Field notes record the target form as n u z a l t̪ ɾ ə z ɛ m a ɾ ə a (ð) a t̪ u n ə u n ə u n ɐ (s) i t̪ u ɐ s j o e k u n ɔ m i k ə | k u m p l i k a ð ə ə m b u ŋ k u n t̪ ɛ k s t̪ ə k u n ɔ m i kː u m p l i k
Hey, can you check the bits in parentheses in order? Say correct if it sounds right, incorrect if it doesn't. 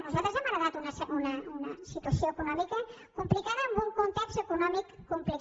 correct, correct

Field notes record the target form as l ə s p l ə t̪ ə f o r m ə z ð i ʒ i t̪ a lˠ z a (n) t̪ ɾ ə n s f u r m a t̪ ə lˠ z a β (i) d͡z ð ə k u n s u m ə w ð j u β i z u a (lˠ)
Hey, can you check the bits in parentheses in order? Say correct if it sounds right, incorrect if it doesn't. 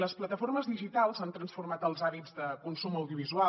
correct, correct, incorrect

